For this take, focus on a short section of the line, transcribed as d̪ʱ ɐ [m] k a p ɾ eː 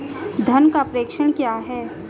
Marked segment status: incorrect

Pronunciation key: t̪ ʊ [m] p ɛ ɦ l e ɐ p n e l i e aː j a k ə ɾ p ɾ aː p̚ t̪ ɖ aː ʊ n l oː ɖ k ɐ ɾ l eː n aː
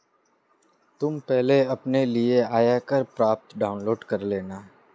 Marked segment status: correct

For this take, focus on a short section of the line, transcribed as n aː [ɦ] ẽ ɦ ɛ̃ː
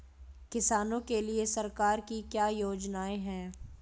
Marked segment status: incorrect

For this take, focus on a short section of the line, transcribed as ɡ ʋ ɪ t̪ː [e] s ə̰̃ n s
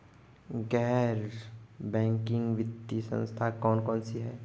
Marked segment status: incorrect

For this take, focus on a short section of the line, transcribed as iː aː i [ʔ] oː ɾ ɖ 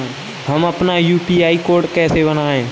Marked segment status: incorrect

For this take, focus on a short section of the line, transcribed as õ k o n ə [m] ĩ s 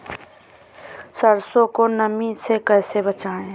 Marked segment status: correct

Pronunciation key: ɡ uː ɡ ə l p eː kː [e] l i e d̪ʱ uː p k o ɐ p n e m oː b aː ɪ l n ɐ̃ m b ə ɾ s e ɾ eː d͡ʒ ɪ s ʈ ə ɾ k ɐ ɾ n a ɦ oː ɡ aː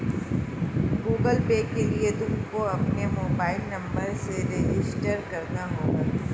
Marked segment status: correct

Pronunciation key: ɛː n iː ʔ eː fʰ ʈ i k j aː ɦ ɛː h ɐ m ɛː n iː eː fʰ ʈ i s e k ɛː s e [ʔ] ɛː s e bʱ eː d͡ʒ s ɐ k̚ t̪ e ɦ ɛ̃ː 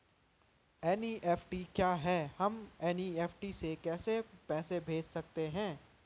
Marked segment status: incorrect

